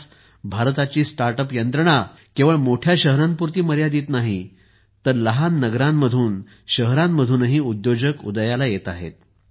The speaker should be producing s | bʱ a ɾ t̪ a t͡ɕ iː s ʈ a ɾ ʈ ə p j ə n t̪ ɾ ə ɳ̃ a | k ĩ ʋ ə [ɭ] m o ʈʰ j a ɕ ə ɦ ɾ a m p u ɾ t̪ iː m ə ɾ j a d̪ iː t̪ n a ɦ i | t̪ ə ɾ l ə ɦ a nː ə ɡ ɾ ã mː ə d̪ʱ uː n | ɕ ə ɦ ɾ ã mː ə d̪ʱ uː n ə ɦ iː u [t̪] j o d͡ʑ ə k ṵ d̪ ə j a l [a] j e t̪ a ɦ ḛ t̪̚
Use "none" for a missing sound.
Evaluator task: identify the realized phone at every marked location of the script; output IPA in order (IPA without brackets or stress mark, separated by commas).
ɭ, d̪, a